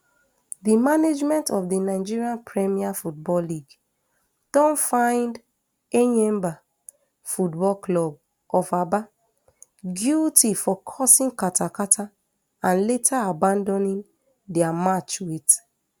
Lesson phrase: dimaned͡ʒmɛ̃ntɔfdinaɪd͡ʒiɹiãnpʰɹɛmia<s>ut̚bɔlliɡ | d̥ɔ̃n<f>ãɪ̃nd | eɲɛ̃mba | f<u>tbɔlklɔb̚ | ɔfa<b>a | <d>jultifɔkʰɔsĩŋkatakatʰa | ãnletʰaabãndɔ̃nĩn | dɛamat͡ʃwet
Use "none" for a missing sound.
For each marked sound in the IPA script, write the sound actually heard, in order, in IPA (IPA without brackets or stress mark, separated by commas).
f, f, u, b, ɡ